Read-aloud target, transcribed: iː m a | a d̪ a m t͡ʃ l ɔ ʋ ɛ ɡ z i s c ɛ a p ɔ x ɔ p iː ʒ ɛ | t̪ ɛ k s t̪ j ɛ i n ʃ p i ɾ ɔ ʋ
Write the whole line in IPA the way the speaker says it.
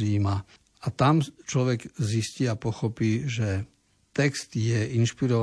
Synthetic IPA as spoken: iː m a | a t̪ a m t͡ʃ l ɔ ʋ ɛ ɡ z i s c i a p ɔ x ɔ p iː ʒ ɛ | t̪ ɛ k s t̪ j ɛ i n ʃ p i ɾ ɔ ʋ